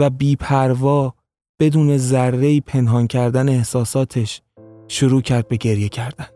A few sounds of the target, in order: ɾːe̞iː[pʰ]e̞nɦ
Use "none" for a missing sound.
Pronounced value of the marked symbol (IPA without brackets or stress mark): pʰ